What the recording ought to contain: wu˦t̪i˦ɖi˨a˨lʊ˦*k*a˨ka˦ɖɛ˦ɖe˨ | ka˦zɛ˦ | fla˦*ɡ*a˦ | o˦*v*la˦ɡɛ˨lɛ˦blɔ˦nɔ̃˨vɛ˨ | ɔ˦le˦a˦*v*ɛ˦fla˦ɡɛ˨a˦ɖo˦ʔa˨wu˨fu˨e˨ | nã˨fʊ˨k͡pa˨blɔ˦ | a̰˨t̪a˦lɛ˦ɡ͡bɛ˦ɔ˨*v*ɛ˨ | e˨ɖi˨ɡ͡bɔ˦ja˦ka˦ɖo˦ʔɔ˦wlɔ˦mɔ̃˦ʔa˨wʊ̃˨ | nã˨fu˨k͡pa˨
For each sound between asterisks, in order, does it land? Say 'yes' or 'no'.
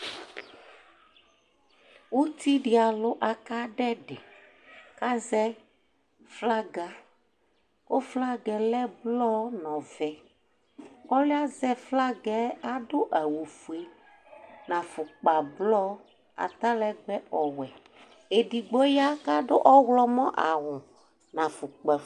no, yes, no, no, no

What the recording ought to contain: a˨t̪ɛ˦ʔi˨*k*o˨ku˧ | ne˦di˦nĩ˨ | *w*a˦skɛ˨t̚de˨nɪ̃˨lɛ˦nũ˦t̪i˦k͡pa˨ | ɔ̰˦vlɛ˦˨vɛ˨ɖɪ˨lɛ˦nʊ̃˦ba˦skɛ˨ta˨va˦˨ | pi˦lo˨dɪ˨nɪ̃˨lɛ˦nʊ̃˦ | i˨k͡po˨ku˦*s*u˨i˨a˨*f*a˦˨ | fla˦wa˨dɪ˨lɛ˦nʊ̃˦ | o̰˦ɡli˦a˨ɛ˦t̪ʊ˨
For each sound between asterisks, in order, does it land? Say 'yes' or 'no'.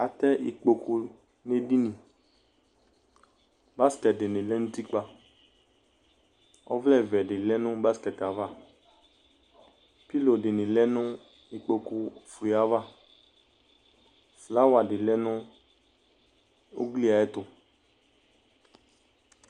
no, no, no, no

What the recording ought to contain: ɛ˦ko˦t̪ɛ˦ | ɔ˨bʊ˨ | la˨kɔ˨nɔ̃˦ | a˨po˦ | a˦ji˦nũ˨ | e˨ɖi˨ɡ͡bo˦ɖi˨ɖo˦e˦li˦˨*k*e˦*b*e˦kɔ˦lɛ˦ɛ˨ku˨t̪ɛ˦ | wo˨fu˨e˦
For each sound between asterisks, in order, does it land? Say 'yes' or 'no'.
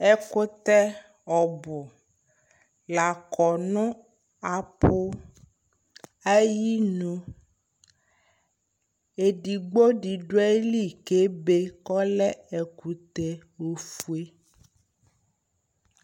yes, yes

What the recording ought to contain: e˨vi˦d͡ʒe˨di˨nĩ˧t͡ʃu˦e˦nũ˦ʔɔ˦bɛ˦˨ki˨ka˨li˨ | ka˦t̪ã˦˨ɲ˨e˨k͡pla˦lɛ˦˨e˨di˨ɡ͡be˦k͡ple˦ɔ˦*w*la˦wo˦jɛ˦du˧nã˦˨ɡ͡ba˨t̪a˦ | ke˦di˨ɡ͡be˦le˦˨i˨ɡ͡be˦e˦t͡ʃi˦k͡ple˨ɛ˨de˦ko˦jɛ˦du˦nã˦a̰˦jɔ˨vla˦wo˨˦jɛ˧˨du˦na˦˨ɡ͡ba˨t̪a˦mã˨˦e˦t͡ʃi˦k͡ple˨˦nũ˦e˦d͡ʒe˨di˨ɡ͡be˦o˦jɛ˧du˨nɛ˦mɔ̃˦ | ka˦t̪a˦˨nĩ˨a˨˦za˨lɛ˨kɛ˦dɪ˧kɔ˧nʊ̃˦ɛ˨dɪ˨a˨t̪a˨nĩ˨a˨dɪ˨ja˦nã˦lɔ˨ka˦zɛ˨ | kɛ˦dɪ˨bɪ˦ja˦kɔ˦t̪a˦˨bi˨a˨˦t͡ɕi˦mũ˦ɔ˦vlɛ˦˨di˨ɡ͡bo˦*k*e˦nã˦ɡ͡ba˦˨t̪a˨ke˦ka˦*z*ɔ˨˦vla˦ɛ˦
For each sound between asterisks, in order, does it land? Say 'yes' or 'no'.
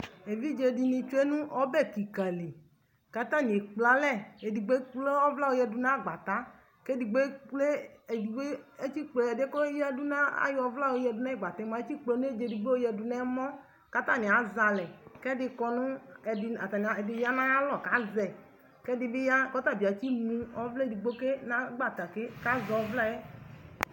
no, yes, yes

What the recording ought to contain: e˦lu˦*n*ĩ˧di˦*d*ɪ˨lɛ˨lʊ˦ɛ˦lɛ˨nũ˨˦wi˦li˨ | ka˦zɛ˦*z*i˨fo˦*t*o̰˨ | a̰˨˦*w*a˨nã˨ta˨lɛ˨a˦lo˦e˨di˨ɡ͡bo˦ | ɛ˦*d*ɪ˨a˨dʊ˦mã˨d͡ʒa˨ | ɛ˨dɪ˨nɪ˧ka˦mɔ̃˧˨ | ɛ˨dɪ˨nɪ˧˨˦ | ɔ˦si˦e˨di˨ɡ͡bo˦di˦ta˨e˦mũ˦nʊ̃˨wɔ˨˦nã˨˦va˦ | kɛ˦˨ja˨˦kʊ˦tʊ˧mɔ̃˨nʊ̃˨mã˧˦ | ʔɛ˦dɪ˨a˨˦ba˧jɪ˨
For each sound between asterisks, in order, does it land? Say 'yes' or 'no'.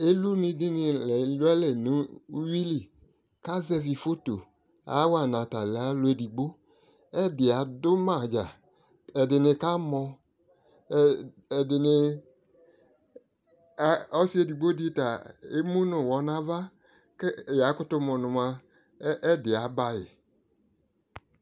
yes, no, no, yes, yes, yes

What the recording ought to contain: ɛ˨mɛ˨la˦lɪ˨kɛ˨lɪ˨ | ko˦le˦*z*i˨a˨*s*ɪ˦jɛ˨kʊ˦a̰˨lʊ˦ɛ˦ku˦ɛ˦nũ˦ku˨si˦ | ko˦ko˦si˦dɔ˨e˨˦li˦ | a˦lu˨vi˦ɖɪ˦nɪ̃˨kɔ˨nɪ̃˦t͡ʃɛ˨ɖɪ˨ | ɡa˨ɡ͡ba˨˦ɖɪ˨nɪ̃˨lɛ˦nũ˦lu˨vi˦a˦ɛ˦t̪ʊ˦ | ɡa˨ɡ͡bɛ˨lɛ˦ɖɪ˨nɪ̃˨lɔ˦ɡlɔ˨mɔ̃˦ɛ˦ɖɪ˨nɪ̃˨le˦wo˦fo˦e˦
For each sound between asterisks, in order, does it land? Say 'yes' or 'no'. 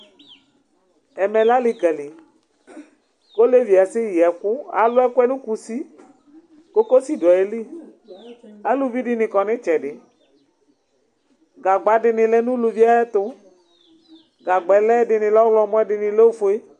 no, yes

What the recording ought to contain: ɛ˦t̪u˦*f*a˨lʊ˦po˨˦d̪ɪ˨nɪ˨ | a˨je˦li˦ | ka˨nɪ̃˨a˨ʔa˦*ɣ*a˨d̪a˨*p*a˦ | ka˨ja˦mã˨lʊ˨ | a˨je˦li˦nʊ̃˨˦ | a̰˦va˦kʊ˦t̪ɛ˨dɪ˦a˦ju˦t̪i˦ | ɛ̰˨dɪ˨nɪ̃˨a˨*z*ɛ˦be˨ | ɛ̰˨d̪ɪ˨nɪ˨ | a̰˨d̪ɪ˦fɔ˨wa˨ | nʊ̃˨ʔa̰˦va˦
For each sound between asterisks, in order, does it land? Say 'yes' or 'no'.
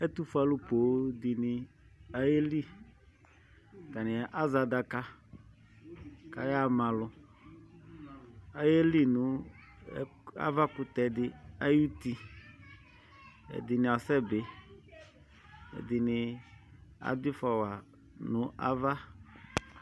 yes, no, no, no

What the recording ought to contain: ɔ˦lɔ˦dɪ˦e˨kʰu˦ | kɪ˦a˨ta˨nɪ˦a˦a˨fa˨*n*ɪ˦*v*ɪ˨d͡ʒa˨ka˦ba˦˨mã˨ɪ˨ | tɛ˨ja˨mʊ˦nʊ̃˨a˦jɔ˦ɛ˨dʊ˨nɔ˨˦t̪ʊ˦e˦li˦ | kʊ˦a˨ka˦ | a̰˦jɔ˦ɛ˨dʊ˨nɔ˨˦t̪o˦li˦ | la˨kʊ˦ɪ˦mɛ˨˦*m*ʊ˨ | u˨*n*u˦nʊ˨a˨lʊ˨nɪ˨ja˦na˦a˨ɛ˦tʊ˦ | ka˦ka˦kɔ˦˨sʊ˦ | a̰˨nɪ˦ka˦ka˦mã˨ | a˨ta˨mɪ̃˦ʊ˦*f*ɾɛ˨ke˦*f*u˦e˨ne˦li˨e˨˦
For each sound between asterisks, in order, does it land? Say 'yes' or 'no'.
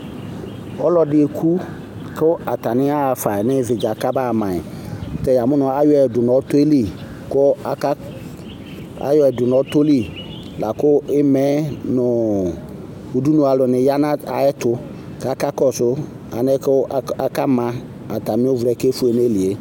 yes, yes, no, no, no, yes

